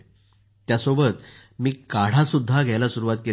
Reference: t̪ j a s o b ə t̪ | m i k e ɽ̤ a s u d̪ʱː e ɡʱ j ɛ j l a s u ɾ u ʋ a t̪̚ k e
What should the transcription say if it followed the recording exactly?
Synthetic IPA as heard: t̪ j a s o b ə t̪ | m iː k a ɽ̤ a s u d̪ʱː a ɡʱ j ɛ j l a s u ɾ u ʋ a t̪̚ k e

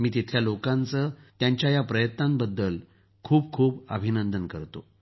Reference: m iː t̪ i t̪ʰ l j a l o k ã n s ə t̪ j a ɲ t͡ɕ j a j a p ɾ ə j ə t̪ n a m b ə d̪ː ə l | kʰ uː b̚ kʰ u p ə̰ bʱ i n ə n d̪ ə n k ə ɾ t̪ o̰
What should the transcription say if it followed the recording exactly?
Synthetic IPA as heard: m iː t̪ i t̪ʰ l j a l o k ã n t͡s ə t̪ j a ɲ t͡ɕ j a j a p ɾ ə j ə t̪ n a m b ə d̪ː ə l | kʰ uː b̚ kʰ uː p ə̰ bʱ i n ə n d̪ ə n k ə ɾ t̪ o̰

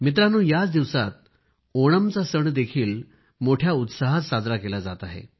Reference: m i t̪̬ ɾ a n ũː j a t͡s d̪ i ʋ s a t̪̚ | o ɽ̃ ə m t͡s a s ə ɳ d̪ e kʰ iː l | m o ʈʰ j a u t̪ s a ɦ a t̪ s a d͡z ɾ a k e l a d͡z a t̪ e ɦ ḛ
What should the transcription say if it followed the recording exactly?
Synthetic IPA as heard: m i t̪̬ ɾ a n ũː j a t͡s d̪ i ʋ s a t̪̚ | o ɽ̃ ə m t͡s a s ə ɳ d̪ e kʰ iː l | m o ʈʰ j a u t̪ s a ɦ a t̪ s a d͡z ɾ a k e l a d͡z a t̪ a ɦ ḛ

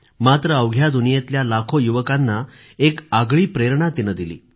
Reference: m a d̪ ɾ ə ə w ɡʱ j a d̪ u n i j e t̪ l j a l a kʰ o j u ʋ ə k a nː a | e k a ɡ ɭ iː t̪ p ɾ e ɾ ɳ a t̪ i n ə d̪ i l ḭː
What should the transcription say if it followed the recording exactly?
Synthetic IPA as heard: m a t̪ ɾ ə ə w ɡʱ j a d̪ u n i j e t̪ l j a l a kʰ o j u ʋ ə k a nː a | e k a ɡ ɭ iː p ɾ e ɾ ɳ a t̪ i n ə d̪ i l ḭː

